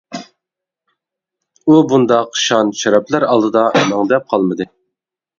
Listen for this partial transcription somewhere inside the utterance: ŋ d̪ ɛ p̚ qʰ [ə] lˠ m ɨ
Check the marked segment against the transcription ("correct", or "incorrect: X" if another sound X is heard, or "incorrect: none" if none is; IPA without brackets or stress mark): incorrect: ɑ